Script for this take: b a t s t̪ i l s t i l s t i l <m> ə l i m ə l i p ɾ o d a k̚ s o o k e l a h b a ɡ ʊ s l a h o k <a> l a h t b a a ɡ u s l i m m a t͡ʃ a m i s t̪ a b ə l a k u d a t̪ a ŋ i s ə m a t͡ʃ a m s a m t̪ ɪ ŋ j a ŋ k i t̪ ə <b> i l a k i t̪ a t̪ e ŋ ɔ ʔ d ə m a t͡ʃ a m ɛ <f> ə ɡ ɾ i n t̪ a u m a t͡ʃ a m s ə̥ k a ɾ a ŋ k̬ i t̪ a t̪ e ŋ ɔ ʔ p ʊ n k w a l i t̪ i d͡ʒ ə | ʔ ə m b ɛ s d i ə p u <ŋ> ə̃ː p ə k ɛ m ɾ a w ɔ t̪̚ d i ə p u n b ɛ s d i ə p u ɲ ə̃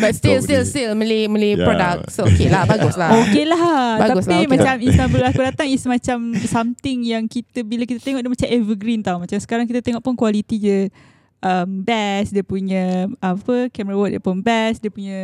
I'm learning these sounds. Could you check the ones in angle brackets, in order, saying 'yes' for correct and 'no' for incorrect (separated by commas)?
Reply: yes, no, yes, no, no